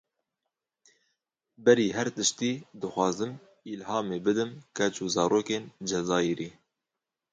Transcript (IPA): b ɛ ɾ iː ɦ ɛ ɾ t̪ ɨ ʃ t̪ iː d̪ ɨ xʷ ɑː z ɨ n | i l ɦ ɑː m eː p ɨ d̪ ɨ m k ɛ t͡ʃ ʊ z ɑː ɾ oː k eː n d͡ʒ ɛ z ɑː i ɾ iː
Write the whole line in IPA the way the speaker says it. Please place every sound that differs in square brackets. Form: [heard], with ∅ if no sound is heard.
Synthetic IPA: b ɛ ɾ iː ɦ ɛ ɾ t̪ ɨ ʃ t̪ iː d̪ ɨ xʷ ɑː z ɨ [m] | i l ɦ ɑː m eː [b] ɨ d̪ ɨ m k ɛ t͡ʃ [u] z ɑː ɾ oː k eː n d͡ʒ ɛ z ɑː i ɾ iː

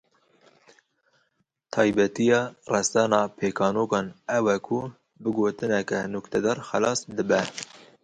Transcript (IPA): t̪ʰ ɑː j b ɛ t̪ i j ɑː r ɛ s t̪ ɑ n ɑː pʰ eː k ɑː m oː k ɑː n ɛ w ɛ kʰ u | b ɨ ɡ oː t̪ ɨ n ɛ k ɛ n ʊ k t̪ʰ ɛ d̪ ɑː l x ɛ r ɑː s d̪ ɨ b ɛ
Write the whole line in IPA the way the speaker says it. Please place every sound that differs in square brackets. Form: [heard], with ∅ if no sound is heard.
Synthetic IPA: t̪ʰ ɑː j b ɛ t̪ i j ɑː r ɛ s t̪ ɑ n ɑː pʰ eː k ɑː [n] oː k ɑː n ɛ w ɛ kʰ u | b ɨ ɡ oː t̪ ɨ n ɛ k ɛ n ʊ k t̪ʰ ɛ d̪ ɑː [ɾ] x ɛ [l] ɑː s d̪ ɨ b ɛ

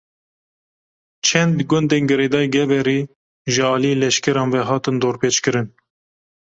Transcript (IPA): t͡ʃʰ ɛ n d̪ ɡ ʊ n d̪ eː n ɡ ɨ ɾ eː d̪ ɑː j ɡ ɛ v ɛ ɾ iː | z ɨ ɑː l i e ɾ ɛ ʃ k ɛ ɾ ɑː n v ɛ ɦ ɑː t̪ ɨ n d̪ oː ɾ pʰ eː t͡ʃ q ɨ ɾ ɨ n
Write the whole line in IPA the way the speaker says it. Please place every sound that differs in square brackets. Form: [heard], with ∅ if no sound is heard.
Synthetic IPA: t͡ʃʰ ɛ n d̪ ɡ ʊ n d̪ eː n ɡ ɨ ɾ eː d̪ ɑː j ɡ ɛ v ɛ ɾ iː | [ʒ] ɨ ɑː l i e [l] ɛ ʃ k ɛ ɾ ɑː n v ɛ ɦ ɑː t̪ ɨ n d̪ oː ɾ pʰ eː t͡ʃ [k] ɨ ɾ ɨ n

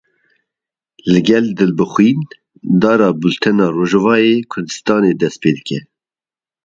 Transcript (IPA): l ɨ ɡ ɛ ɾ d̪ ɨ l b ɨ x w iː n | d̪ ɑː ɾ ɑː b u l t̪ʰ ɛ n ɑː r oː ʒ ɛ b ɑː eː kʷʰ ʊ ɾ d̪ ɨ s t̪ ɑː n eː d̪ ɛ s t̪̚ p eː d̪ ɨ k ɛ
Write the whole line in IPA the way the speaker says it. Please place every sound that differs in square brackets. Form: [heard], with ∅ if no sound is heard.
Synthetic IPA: l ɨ ɡ ɛ [l] d̪ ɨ l b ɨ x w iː n | d̪ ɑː ɾ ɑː b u l t̪ʰ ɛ n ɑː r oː ʒ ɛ [v] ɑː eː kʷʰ ʊ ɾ d̪ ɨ s t̪ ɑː n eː d̪ ɛ s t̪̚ p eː d̪ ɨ k ɛ

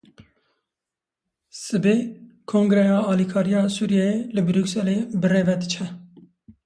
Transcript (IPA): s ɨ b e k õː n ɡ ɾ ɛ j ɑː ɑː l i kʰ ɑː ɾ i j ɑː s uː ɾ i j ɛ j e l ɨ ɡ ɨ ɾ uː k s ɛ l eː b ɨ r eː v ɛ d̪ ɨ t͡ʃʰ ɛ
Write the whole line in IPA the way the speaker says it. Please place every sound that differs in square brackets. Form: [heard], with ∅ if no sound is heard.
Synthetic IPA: s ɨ b e [kʰ] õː [ŋ] ɡ ɾ ɛ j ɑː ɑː l i kʰ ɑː ɾ i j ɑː s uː ɾ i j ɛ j e l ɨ [b] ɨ ɾ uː k s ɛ l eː b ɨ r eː v ɛ d̪ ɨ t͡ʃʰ ɛ

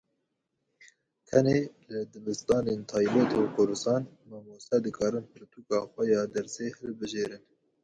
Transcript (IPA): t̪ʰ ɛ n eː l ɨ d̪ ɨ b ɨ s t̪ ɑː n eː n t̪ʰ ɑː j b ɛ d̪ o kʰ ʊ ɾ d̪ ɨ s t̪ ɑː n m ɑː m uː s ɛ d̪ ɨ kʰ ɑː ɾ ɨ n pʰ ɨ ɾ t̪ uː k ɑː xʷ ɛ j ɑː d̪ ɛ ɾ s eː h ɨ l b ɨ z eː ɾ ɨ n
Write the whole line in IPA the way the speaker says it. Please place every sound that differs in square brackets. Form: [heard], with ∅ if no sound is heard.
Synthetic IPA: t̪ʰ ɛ n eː l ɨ d̪ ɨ b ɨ s t̪ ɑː n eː n t̪ʰ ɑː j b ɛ [t̪] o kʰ ʊ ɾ d̪ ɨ s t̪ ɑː n m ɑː m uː s ɛ d̪ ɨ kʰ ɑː ɾ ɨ n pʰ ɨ ɾ t̪ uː k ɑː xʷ ɛ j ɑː d̪ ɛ ɾ s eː h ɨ l b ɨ [ʒ] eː ɾ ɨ n

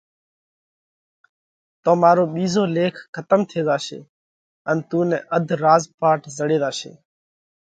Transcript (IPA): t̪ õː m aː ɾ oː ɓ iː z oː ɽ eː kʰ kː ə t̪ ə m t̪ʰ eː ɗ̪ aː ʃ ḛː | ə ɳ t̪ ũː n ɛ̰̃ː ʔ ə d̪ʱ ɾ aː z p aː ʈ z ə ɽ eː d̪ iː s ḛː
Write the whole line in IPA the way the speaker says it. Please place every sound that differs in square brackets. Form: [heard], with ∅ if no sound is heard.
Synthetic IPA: t̪ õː m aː ɾ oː ɓ iː z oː [l] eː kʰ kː ə t̪ ə m t̪ʰ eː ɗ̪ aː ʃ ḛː | ə [n] t̪ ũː n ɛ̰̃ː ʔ ə d̪ʱ ɾ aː z p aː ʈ z ə ɽ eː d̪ [aː] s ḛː

